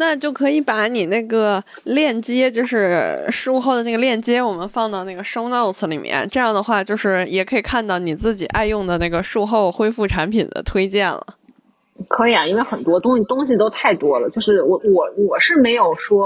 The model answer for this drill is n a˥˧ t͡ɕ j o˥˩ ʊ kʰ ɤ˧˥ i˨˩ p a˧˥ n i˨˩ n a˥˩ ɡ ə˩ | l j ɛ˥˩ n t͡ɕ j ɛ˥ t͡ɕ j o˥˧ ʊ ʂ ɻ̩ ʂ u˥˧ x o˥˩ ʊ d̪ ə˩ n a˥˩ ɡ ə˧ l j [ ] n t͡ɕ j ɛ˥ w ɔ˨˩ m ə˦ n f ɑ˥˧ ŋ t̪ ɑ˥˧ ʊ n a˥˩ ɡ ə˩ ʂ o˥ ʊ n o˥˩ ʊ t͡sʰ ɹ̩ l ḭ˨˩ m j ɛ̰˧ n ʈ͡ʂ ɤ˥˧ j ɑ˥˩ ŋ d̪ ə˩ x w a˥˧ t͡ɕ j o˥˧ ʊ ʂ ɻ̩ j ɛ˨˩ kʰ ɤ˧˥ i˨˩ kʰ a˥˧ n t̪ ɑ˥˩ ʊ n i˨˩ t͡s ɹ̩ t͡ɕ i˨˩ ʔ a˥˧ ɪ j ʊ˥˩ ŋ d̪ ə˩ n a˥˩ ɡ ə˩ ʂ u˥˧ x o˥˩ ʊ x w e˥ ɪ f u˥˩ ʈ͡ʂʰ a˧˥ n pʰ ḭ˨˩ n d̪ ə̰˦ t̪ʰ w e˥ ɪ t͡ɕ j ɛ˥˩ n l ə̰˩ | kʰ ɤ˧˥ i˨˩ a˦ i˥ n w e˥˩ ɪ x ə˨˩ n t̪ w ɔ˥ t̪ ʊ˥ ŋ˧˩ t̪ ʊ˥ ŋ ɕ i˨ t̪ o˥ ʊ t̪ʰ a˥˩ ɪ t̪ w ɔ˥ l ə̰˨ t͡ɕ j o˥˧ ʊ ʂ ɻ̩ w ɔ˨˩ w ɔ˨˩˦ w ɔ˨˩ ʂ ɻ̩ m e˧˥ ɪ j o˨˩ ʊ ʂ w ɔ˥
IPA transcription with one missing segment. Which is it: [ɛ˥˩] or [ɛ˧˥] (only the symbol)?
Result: ɛ˥˩